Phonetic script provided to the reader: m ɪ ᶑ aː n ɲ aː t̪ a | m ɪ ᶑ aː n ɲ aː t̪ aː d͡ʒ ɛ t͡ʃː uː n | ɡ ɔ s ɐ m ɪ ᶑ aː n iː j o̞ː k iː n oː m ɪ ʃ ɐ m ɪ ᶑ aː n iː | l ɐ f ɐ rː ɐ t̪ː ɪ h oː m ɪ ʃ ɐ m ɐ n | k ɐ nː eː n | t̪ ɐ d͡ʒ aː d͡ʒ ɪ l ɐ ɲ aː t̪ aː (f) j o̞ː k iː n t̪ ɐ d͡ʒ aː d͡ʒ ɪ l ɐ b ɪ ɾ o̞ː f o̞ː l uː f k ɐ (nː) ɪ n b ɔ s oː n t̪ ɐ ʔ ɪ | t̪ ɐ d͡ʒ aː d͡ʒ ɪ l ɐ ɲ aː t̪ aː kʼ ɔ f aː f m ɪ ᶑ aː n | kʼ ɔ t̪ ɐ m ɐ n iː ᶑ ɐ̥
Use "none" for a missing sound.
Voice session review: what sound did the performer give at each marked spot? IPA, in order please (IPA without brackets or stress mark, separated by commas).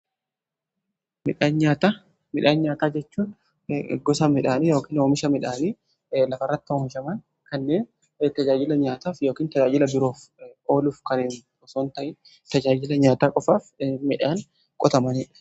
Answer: f, n